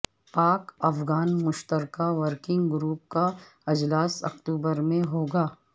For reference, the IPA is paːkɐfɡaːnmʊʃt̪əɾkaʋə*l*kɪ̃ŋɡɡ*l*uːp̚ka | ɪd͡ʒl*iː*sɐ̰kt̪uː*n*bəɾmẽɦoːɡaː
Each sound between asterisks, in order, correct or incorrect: incorrect, incorrect, incorrect, incorrect

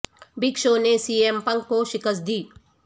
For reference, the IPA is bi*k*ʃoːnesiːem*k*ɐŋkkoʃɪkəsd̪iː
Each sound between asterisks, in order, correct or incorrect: correct, incorrect

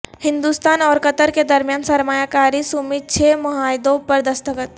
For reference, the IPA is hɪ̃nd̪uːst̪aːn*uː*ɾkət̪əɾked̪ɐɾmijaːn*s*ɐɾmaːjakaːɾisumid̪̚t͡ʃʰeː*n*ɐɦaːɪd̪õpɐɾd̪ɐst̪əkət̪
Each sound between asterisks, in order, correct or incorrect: incorrect, correct, incorrect

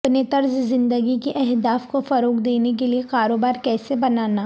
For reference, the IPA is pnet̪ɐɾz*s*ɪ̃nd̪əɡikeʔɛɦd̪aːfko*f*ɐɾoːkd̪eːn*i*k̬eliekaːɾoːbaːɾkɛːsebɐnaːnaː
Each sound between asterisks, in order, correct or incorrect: incorrect, correct, incorrect

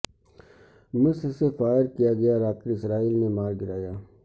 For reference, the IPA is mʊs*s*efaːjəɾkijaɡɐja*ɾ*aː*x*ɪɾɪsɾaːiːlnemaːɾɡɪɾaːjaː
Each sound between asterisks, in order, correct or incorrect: correct, correct, incorrect

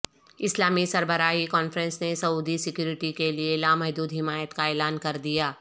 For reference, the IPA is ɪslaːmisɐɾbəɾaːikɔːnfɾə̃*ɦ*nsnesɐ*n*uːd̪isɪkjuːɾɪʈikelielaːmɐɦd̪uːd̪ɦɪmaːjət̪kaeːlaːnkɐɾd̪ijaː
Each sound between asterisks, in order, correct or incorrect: incorrect, incorrect

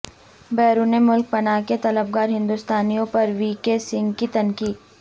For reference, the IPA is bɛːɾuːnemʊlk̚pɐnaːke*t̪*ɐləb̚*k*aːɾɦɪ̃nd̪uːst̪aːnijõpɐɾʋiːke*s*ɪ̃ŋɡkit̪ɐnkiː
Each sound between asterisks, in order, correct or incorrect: correct, incorrect, correct

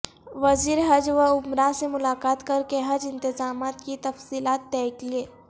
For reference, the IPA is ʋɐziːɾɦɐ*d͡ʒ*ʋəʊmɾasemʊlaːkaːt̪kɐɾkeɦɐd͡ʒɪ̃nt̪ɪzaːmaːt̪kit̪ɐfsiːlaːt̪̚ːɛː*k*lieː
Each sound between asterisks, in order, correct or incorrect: correct, correct

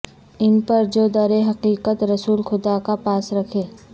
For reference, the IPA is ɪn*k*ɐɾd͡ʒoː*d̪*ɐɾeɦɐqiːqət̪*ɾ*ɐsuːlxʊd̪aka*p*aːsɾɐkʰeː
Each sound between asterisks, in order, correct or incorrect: incorrect, correct, correct, correct

